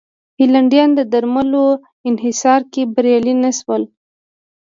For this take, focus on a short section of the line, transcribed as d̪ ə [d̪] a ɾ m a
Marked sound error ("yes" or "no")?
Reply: no